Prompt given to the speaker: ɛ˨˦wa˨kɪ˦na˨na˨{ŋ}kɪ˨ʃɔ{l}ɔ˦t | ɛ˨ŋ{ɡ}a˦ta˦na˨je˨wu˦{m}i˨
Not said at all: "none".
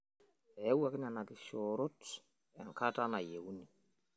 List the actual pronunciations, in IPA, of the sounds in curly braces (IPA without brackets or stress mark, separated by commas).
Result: none, ɾ, k, n